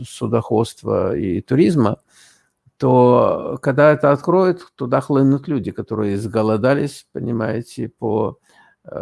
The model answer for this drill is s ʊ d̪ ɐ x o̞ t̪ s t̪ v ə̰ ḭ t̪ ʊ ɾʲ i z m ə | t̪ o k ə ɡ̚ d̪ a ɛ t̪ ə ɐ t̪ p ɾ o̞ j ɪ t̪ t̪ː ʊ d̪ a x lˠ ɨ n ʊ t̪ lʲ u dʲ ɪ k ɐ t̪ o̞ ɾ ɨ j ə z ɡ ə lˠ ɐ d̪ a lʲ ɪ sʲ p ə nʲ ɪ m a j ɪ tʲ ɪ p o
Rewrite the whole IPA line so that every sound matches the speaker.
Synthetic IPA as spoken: s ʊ d̪ ɐ x o̞ t̪ s t̪ v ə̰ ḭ t̪ ʊ ɾʲ i z m ə | t̪ o k ɐ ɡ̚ d̪ a ɛ t̪ ə ɐ t̪ k ɾ o̞ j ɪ t̪ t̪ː ʊ d̪ a x lˠ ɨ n ʊ t̪ lʲ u dʲ ɪ k ɐ t̪ o̞ ɾ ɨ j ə z ɡ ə lˠ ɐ d̪ a lʲ ɪ sʲ p ə nʲ ɪ m a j ɪ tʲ ɪ p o